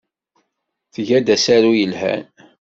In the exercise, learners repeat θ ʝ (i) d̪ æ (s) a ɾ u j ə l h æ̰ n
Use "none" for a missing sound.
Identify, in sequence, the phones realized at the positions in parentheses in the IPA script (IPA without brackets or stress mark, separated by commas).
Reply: æ, s